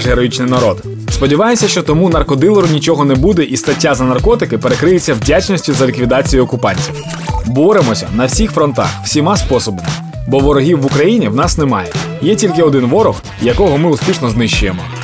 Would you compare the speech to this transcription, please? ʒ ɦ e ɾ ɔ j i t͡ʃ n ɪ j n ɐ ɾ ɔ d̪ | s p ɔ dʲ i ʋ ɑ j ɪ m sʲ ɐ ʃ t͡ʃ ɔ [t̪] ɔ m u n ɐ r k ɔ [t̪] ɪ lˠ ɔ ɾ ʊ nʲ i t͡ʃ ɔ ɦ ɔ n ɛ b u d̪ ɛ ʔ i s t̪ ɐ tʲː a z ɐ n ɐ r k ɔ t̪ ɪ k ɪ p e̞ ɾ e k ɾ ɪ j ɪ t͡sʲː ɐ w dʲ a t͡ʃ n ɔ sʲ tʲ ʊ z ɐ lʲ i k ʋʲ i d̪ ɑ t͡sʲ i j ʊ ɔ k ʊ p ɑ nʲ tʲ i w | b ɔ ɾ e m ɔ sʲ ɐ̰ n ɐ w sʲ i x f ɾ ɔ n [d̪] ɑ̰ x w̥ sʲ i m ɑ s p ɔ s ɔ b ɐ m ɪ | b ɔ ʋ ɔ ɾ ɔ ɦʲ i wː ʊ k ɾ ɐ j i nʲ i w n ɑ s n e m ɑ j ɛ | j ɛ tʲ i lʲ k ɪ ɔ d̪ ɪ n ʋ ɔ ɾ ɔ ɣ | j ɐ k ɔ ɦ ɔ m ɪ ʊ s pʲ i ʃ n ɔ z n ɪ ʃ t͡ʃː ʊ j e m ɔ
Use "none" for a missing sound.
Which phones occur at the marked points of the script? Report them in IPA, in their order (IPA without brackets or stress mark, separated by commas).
t̪, d̪, t̪